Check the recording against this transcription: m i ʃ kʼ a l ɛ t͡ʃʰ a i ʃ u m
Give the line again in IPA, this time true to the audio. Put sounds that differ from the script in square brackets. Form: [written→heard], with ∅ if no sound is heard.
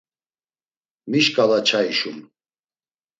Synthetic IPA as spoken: m i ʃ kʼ a l [ɛ→a] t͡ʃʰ a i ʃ u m

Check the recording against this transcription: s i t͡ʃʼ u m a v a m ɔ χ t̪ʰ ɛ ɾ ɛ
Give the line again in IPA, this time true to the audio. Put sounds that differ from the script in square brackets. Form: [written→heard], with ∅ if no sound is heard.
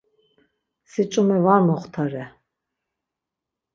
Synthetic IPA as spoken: s i t͡ʃʼ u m [a→ɛ] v a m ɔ χ t̪ʰ [ɛ→a] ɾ ɛ

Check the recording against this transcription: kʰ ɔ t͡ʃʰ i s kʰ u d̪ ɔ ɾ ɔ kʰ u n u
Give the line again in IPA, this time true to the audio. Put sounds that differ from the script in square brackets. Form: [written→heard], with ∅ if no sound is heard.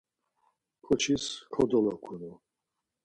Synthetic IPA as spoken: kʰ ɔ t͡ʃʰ i s kʰ [u→ɔ] d̪ ɔ [ɾ→l] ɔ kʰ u n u

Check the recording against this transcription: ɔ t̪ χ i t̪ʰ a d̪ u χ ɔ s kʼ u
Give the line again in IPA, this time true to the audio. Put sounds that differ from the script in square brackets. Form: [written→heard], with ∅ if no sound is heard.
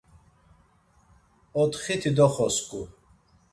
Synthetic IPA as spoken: ɔ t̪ χ i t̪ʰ [a→i] d̪ [u→ɔ] χ ɔ s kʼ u

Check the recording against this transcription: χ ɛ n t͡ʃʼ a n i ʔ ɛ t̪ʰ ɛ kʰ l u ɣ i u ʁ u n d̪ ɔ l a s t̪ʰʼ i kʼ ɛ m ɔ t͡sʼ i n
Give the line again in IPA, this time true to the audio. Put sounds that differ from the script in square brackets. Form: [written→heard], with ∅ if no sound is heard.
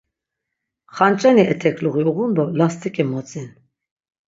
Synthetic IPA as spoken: χ [ɛ→a] n t͡ʃʼ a n i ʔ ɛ t̪ʰ ɛ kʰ l u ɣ i u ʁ u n d̪ ɔ l a s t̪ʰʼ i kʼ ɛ m ɔ t͡sʼ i n

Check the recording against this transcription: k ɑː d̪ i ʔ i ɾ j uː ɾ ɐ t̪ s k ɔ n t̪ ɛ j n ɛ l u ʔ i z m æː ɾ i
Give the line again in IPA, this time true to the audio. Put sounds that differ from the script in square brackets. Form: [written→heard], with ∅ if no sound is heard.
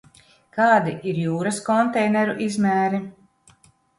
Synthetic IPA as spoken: k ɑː d̪ i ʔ i ɾ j uː ɾ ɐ [t̪→∅] s k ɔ n t̪ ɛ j n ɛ [l→ɾ] u ʔ i z m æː ɾ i

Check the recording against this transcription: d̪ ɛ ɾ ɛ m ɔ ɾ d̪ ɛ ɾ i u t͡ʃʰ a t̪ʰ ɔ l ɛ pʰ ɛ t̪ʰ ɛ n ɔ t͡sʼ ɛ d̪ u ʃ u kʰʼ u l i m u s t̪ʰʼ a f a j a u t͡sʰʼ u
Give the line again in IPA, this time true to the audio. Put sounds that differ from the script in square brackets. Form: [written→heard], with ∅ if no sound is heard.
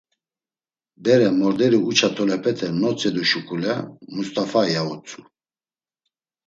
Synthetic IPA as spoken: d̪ ɛ ɾ ɛ m ɔ ɾ d̪ ɛ ɾ i u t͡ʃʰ a t̪ʰ ɔ l ɛ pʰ ɛ t̪ʰ ɛ n ɔ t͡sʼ ɛ d̪ u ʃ u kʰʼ u l [i→ɛ] m u s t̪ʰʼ a f a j a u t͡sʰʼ u

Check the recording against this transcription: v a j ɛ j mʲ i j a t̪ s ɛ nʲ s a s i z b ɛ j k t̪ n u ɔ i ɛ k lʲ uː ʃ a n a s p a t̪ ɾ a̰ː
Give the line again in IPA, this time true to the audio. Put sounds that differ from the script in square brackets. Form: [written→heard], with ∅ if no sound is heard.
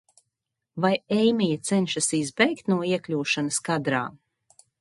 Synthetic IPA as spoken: v a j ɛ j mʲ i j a t̪ s ɛ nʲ [s→ʃ] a s i z b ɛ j k t̪ n u ɔ i ɛ k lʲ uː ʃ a n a s [p→k] a [t̪→d̪] ɾ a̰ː

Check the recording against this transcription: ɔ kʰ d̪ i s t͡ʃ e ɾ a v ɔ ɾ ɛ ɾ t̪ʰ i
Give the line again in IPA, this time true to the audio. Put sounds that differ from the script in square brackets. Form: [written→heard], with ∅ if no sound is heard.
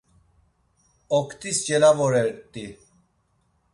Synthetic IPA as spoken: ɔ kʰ [d̪→t̪] i s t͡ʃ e [ɾ→l] a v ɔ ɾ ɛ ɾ [t̪ʰ→t̪] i

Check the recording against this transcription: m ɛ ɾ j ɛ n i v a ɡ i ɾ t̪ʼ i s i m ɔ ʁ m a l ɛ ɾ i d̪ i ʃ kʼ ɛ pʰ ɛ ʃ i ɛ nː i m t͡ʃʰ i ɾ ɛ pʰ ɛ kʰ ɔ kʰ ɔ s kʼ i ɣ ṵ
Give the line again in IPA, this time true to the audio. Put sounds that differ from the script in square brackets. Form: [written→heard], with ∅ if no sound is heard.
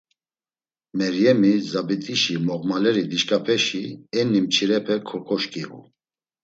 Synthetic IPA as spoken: m ɛ ɾ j ɛ [n→m] i [v→z] a [ɡ→b] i [ɾ→∅] t̪ʼ i [s→ʃ] i m ɔ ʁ m a l ɛ ɾ i d̪ i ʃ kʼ [ɛ→a] pʰ ɛ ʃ i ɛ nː i m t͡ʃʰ i ɾ ɛ pʰ ɛ kʰ ɔ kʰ ɔ [s→ʃ] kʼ i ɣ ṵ

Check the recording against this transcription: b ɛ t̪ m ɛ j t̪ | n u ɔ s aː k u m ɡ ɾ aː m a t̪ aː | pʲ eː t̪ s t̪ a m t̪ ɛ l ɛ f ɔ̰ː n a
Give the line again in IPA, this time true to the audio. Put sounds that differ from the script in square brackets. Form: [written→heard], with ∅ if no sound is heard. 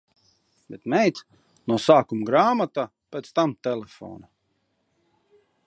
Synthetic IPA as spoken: b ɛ t̪ m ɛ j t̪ | n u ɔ s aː k u m ɡ ɾ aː m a t̪ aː | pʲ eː t̪ s t̪ a m t̪ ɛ l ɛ f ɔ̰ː n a

